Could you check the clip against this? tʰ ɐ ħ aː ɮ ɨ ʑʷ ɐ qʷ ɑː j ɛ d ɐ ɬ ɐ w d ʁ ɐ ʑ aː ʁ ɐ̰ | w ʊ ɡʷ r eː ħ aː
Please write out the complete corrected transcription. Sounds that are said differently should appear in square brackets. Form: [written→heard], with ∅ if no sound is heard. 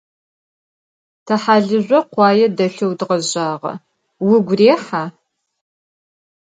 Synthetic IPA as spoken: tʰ ɐ ħ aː ɮ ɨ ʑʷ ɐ qʷ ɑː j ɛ d ɐ ɬ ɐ w d ʁ ɐ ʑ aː ʁ ɐ̰ | w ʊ ɡʷ r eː ħ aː